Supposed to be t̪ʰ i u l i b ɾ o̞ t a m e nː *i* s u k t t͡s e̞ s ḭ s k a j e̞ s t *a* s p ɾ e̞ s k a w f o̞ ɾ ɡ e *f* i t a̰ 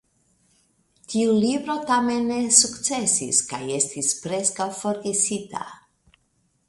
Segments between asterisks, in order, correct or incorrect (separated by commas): incorrect, incorrect, incorrect